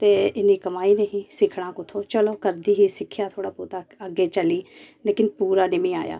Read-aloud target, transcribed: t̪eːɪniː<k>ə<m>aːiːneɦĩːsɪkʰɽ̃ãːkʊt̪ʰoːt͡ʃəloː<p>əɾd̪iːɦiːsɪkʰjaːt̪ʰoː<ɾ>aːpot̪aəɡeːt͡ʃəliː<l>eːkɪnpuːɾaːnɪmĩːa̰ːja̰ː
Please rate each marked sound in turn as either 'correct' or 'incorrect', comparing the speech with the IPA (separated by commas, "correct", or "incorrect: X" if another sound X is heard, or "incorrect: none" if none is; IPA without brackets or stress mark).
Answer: correct, correct, incorrect: k, incorrect: ɽ, correct